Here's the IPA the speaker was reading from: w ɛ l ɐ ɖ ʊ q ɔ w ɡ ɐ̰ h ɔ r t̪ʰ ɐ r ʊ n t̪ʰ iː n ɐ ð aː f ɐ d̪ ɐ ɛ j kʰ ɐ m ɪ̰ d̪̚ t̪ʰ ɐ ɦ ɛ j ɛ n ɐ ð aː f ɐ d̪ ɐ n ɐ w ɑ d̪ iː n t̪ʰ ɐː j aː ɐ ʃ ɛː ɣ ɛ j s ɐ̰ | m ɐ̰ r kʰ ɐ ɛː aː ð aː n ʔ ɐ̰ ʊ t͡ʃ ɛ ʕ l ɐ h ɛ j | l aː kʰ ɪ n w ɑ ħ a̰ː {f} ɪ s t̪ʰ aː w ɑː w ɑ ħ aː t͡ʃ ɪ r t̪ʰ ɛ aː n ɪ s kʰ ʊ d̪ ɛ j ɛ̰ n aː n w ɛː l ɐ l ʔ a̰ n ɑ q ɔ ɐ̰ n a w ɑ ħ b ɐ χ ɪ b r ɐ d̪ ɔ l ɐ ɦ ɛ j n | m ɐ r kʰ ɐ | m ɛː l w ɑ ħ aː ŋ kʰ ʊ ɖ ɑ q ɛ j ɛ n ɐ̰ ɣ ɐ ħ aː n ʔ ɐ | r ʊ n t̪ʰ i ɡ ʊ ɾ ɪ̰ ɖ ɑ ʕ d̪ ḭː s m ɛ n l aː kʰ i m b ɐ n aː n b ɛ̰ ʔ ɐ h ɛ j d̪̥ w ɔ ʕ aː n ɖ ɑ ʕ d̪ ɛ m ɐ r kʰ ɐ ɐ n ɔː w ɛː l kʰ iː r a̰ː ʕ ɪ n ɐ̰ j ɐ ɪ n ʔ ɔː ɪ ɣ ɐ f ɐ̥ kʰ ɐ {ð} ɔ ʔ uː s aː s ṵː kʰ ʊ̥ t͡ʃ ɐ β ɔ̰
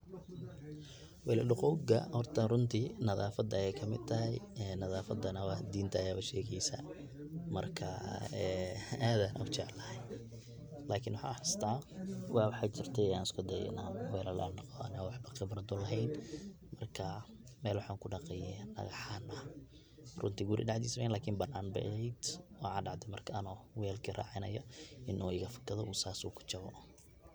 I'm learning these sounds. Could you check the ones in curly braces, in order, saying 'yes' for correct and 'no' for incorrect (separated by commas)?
no, yes